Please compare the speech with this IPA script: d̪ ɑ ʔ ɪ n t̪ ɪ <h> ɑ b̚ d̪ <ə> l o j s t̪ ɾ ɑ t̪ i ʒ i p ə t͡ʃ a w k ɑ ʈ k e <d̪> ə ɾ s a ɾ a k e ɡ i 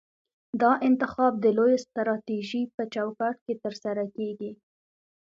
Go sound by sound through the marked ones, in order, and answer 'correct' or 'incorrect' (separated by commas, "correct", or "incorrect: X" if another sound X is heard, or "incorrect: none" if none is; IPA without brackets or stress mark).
incorrect: x, correct, incorrect: t̪